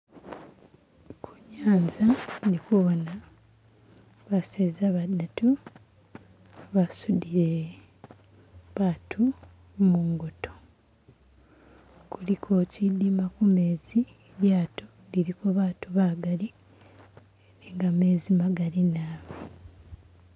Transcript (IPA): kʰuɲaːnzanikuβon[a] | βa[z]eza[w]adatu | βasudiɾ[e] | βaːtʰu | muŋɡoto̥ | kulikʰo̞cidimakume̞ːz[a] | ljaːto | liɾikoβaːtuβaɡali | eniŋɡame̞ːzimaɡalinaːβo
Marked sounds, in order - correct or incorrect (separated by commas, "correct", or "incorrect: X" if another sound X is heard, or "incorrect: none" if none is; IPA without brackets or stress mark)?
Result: correct, incorrect: s, incorrect: β, correct, incorrect: i